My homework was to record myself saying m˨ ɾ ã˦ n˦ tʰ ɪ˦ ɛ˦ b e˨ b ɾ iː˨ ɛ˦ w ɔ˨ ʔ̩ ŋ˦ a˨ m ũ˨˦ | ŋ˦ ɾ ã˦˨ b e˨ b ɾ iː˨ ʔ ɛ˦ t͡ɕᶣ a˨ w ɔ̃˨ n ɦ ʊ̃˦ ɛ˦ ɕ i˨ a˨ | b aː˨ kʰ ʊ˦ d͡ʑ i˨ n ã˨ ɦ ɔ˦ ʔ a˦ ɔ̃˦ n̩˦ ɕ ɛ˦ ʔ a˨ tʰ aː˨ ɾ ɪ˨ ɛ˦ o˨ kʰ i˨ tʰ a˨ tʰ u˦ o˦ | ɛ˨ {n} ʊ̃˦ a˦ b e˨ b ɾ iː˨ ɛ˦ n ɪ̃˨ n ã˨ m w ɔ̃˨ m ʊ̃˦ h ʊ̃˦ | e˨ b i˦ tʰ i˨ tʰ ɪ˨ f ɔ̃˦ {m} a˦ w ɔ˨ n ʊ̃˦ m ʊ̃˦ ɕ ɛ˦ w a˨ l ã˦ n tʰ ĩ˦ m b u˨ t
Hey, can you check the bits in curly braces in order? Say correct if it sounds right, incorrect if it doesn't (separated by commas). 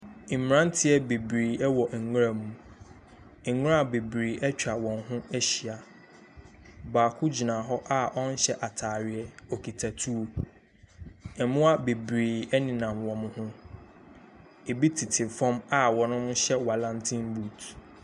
incorrect, correct